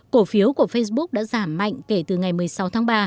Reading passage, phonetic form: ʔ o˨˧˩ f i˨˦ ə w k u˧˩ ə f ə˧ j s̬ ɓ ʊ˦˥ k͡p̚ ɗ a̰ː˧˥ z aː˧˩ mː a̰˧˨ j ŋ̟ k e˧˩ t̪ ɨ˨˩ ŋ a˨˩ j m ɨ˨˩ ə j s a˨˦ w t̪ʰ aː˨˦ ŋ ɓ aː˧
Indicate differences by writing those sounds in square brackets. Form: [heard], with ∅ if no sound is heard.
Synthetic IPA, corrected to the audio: [k] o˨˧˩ f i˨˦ ə w k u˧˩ ə f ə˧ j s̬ ɓ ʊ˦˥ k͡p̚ ɗ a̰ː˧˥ z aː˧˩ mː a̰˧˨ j ŋ̟ k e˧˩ t̪ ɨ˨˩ ŋ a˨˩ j m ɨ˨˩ ə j s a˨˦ w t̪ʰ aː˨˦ ŋ ɓ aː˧